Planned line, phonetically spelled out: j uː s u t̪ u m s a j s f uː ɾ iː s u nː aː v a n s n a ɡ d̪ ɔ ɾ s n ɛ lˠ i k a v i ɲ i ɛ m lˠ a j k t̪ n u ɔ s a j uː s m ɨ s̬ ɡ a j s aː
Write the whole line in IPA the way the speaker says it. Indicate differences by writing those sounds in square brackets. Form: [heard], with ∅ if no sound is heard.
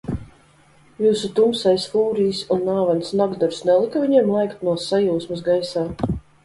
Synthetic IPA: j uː s u t̪ u m s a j s f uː ɾ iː s u nː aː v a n s n a ɡ d̪ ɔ ɾ s n ɛ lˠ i k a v i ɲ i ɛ m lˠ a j k t̪ n u ɔ s a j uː s m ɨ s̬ ɡ a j s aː